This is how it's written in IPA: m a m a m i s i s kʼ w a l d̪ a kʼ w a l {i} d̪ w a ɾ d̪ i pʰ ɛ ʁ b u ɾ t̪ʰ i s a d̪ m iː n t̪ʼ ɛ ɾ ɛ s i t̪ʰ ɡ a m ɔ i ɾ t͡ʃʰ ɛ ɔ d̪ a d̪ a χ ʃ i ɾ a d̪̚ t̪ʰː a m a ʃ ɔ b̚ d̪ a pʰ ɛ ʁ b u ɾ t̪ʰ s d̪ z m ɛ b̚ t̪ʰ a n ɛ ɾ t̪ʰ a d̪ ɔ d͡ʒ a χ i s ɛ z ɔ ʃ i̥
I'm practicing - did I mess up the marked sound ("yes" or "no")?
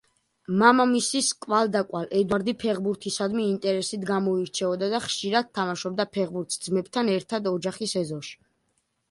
yes